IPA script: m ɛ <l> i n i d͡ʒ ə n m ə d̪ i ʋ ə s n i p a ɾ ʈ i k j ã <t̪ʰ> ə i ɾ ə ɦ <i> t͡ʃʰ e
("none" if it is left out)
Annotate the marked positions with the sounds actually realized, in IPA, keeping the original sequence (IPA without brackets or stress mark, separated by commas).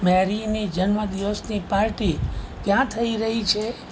ɾ, t̪ʰ, i